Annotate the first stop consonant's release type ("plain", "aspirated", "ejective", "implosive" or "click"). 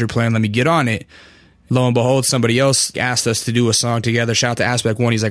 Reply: aspirated